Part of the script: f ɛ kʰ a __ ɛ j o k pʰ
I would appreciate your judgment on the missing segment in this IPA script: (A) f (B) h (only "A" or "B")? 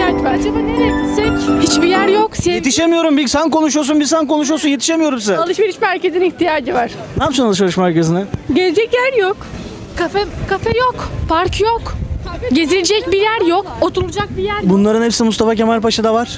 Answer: A